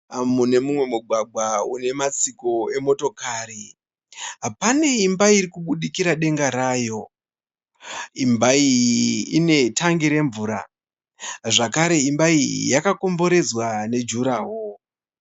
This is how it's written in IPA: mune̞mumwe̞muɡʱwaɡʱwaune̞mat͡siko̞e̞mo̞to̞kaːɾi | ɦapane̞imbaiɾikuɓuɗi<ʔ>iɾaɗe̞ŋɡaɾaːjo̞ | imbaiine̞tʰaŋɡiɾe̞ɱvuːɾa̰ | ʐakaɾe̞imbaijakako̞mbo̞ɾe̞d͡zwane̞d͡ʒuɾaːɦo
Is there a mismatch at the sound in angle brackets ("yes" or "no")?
yes